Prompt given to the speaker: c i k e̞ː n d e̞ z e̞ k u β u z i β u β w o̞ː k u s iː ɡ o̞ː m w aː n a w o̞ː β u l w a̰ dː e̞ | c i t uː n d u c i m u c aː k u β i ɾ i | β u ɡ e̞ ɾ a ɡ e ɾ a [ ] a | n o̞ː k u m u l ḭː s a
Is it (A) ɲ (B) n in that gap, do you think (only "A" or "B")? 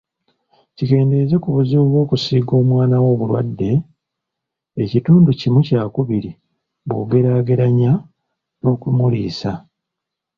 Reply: A